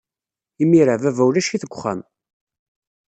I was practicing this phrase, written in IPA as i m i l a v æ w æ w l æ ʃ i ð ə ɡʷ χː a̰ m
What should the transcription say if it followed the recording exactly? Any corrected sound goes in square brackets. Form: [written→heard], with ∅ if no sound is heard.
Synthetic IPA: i m i [l→ɾ] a v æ [w→v] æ w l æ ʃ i [ð→θ] ə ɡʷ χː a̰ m